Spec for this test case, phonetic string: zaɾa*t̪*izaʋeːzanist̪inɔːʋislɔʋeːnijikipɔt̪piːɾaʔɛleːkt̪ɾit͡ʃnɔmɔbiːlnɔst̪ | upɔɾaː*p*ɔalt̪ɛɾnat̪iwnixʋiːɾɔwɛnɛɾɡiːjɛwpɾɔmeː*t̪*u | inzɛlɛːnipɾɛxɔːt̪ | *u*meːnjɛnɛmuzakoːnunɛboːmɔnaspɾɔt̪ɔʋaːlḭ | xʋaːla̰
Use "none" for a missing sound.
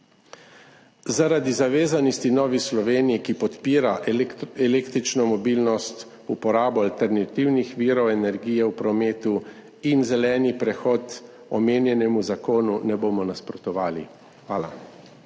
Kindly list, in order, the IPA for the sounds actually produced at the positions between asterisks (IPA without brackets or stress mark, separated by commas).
d̪, b, t̪, ɔ